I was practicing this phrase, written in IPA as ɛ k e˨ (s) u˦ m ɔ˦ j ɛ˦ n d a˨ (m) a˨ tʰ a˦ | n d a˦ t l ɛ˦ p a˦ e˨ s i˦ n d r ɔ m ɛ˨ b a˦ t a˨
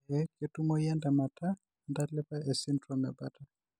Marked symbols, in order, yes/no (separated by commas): no, yes